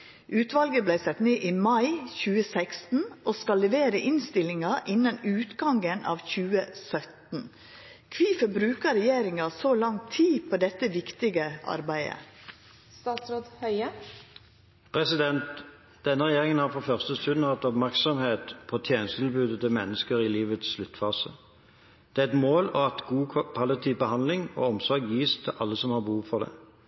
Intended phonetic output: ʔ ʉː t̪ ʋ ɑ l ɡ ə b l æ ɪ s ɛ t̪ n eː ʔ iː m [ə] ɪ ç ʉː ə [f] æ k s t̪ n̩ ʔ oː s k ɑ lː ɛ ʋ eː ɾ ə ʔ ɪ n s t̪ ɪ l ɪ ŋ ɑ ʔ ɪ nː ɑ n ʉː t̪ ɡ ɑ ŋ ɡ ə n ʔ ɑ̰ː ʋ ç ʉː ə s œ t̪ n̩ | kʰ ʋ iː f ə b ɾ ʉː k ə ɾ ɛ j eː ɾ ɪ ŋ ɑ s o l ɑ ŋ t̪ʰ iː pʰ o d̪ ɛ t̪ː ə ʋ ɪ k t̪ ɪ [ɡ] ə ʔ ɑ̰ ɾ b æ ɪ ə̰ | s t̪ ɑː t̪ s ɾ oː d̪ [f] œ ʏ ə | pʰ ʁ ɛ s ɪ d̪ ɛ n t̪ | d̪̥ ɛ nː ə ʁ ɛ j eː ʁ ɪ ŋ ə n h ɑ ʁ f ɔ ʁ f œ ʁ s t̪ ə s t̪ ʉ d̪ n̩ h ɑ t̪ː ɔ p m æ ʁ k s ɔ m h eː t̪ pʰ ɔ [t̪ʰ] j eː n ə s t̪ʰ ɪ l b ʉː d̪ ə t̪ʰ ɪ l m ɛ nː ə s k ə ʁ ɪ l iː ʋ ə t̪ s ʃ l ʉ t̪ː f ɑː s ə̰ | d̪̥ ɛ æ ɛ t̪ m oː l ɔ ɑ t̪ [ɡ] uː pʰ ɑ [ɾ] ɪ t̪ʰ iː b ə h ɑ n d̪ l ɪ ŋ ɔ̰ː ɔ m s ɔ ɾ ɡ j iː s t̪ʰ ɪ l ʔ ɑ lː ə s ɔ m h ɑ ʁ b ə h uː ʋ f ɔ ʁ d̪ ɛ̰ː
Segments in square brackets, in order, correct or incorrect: incorrect: ɑ, incorrect: s, correct, incorrect: h, correct, correct, incorrect: l

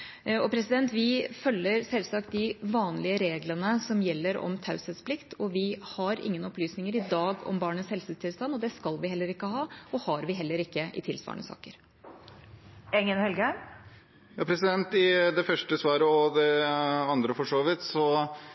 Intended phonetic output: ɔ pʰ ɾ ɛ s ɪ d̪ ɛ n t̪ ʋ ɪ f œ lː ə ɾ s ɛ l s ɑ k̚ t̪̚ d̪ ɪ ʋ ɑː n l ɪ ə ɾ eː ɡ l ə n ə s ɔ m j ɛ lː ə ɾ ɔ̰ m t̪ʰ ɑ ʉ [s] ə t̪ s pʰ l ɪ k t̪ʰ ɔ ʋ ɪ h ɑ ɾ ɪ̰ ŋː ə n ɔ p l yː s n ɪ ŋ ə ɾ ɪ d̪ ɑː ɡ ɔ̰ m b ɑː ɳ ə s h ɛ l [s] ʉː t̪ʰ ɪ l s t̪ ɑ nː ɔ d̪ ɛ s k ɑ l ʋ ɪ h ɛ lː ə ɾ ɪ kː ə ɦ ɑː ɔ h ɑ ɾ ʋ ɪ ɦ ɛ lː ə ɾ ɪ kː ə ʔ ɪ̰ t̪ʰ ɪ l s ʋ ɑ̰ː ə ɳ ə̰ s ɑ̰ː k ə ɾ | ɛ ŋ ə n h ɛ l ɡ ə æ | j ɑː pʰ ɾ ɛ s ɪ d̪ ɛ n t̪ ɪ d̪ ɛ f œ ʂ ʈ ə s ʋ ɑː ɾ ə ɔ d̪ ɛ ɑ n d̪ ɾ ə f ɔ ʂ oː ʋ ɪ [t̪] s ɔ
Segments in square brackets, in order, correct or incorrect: correct, correct, correct

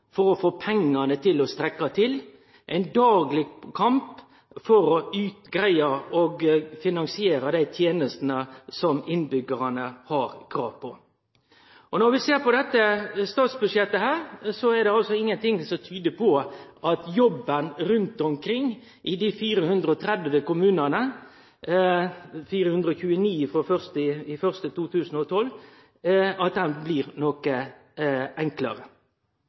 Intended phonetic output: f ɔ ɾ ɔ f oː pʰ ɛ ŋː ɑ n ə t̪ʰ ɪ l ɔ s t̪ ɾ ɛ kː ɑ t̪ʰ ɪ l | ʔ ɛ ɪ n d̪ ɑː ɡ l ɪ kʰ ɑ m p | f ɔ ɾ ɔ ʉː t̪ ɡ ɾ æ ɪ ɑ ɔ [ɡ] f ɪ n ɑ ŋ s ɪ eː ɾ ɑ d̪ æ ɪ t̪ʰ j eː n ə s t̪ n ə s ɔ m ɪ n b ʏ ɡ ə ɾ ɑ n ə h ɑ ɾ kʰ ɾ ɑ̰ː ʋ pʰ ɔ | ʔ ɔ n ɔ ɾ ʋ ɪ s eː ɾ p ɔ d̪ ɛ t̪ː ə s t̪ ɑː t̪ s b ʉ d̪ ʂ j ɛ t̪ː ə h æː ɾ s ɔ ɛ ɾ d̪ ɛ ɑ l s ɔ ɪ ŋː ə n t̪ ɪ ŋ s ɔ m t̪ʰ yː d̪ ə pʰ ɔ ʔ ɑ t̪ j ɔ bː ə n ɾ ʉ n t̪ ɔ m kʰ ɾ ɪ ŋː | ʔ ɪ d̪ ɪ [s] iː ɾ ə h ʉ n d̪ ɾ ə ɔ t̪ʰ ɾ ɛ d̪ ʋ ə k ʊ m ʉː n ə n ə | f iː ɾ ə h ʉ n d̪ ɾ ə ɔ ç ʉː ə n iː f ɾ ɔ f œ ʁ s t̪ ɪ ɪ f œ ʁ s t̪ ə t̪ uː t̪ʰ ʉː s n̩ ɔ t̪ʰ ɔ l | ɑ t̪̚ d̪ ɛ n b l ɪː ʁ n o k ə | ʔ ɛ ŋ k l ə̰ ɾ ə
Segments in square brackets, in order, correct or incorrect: correct, incorrect: f

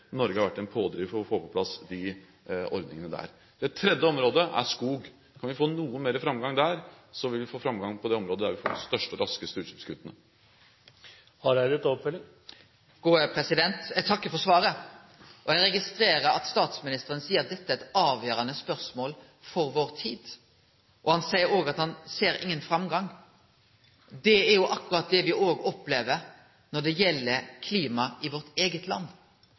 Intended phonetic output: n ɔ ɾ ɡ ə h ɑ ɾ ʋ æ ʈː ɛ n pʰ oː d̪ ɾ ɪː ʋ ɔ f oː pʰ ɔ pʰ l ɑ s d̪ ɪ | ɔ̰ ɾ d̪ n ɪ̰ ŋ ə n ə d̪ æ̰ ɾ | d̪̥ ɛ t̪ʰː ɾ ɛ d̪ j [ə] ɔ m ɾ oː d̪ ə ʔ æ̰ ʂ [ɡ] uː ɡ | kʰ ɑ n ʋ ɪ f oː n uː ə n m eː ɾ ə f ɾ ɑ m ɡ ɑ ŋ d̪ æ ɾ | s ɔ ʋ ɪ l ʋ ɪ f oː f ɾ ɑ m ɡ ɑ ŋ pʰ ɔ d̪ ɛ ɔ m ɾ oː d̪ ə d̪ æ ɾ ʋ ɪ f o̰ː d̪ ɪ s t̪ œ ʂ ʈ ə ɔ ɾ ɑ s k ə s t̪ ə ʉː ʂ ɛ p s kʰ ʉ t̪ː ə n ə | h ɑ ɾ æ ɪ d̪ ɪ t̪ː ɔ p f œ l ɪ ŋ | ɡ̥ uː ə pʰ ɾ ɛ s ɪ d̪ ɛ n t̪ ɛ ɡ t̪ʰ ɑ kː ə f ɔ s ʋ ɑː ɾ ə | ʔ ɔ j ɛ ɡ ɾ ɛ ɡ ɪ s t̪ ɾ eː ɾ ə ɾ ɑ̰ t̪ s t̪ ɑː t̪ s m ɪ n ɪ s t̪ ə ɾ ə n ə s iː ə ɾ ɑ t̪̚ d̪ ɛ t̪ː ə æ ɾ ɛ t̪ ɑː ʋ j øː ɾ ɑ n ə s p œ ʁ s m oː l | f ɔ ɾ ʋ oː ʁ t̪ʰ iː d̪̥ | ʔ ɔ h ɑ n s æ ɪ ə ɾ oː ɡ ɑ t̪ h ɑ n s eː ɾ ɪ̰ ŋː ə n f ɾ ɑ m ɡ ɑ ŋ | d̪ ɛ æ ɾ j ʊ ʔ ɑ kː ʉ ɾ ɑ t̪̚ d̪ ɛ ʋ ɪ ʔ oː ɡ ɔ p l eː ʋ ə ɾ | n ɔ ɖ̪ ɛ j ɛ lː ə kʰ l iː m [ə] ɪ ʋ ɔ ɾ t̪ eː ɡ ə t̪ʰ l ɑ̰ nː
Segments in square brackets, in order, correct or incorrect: correct, incorrect: k, incorrect: ɑ

